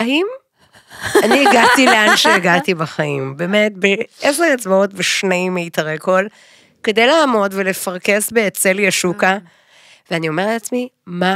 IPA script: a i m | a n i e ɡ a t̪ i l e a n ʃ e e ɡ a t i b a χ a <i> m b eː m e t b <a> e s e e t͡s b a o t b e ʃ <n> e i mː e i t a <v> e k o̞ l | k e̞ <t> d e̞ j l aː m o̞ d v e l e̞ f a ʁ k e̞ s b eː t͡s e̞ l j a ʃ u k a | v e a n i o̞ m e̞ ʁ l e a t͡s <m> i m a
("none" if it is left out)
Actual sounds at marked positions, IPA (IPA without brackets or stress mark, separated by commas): i, e, n, ʁ, none, m